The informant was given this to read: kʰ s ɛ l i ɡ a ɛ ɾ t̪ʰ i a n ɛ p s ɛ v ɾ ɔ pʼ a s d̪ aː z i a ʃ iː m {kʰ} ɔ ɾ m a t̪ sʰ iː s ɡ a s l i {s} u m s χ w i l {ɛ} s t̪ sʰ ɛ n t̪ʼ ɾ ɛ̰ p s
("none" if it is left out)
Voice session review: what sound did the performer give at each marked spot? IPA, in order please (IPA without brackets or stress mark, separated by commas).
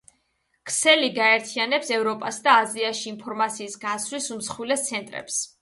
pʰ, s, ɛ